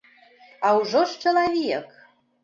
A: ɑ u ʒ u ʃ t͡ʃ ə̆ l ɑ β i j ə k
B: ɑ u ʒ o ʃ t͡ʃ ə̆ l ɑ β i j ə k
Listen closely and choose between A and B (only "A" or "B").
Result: B